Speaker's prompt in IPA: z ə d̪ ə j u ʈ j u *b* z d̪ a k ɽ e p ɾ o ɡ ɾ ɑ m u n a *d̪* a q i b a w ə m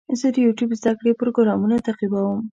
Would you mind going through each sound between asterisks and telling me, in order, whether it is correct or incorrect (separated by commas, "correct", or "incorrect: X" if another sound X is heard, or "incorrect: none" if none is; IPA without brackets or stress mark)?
correct, incorrect: t̪